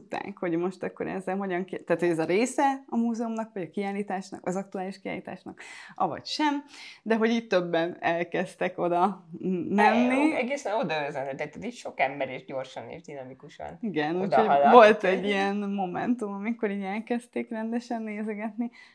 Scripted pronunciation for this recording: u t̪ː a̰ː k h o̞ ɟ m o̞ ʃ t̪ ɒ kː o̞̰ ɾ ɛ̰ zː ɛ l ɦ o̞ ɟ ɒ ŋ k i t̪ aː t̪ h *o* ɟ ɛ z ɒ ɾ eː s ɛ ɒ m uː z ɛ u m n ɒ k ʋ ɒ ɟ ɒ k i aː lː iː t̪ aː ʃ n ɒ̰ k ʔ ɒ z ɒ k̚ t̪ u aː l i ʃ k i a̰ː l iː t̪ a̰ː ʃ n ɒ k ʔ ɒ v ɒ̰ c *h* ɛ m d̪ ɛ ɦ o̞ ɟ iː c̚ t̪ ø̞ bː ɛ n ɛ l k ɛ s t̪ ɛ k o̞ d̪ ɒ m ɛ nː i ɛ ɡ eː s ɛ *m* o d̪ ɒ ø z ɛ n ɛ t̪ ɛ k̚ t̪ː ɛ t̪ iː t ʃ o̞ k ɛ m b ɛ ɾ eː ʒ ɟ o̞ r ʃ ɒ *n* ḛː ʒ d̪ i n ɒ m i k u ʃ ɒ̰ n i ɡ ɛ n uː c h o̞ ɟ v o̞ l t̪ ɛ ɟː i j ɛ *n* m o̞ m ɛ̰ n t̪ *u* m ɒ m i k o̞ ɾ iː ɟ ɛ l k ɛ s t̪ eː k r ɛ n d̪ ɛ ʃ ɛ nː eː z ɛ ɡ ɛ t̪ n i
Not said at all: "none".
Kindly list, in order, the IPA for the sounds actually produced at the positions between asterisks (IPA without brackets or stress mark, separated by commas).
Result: o, ʃ, n, n, n, u